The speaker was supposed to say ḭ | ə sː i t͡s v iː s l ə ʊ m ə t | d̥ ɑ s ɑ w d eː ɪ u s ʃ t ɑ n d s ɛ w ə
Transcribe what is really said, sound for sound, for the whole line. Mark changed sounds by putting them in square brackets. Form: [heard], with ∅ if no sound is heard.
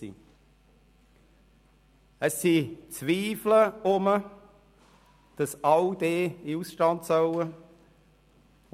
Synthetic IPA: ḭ | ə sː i t͡s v iː [f] l ə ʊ m ə [∅] | d̥ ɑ s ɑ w d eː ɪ u s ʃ t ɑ n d s [œ] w ə